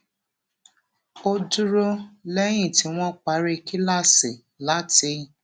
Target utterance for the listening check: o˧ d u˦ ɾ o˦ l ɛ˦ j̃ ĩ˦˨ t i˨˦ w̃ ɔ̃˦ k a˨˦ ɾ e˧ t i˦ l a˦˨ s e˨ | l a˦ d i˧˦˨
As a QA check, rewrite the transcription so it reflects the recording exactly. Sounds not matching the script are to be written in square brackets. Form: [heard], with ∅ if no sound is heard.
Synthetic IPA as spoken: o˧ d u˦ ɾ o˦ l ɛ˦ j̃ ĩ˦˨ t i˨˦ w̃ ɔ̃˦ [k͡p] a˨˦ ɾ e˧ [k] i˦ l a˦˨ s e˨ | l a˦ [t] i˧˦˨